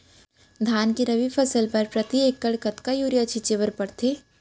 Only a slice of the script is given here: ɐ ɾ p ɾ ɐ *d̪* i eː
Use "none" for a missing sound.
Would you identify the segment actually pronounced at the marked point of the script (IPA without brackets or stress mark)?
t̪